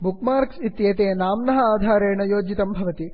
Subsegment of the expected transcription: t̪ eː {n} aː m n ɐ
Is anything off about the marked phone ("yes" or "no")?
no